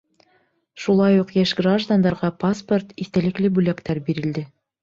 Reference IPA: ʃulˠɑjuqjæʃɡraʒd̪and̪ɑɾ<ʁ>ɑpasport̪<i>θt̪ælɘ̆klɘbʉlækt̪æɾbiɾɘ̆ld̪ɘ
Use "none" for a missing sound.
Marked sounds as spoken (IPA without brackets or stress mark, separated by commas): ʁ, i